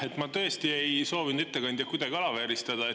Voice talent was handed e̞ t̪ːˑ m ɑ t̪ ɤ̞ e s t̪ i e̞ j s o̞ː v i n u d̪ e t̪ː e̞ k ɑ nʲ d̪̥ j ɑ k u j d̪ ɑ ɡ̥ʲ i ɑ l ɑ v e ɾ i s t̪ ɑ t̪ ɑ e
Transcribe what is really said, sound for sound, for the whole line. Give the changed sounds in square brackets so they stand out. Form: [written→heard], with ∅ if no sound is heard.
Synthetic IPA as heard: e̞ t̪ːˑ m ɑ t̪ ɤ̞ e s t̪ i e̞ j s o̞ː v i n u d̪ e t̪ː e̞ k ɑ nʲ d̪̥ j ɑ k u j d̪ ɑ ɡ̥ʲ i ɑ l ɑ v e ɾ i s t̪ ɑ [t̪→d̪] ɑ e